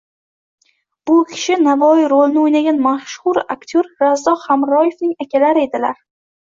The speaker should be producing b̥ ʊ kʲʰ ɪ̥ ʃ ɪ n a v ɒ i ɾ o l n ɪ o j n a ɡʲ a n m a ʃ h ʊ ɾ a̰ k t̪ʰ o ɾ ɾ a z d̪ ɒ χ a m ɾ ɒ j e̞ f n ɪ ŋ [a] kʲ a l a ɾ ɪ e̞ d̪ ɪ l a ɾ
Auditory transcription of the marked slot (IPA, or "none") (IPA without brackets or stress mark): a